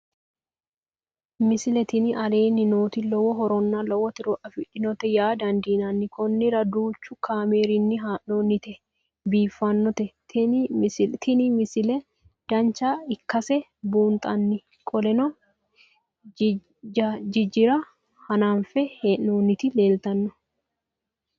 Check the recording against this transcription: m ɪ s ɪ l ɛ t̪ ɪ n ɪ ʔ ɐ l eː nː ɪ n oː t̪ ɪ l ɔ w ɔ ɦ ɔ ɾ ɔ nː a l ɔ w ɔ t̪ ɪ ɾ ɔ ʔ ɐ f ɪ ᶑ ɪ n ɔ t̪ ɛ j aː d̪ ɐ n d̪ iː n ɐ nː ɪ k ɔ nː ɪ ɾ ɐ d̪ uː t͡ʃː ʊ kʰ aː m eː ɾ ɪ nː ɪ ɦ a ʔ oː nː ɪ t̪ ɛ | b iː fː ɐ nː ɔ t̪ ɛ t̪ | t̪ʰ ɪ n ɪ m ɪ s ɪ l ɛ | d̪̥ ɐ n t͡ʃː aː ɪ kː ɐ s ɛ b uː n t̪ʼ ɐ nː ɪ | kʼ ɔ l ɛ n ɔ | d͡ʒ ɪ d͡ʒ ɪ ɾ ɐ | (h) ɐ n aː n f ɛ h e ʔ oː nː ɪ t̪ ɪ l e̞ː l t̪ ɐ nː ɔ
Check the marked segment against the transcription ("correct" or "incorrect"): correct